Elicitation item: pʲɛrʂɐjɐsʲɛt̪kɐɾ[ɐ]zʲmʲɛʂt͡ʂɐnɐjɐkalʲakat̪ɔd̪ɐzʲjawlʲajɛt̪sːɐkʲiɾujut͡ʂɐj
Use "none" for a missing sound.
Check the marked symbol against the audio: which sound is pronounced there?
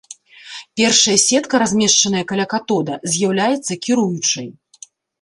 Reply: a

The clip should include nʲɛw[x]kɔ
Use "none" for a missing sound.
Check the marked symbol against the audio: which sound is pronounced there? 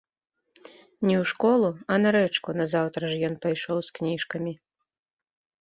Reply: ʂ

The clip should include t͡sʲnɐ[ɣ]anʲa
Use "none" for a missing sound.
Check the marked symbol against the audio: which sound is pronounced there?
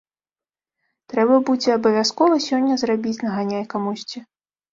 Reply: ɣ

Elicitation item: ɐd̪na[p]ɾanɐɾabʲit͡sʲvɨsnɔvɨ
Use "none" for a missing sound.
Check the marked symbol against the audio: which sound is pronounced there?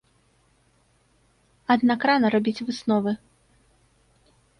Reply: k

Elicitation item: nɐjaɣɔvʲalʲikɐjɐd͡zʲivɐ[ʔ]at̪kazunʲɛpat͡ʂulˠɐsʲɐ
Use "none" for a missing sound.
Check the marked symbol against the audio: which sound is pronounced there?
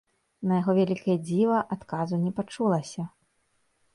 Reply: ʔ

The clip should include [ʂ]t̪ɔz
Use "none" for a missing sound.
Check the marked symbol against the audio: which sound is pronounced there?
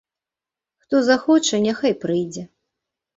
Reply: x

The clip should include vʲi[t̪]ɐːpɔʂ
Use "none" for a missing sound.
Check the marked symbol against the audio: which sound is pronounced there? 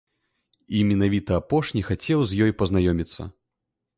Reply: t̪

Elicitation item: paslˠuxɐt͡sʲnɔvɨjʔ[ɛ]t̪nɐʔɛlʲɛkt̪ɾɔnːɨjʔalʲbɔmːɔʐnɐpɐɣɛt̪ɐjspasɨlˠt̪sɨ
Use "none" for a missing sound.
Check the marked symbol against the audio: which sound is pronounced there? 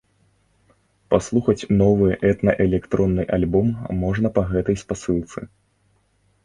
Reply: ɛ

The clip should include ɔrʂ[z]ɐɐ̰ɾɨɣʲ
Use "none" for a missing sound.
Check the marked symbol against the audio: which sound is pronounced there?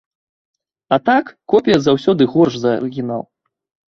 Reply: z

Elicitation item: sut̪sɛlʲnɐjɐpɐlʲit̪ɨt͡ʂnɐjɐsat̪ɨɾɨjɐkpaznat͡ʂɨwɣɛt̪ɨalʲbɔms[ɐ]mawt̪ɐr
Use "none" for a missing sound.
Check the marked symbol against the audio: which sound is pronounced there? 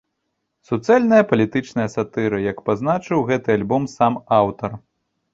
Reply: a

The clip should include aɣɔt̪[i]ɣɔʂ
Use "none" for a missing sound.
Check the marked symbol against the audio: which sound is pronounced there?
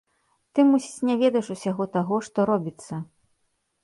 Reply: a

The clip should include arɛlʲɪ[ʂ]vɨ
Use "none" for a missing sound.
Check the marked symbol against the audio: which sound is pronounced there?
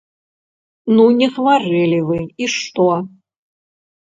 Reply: none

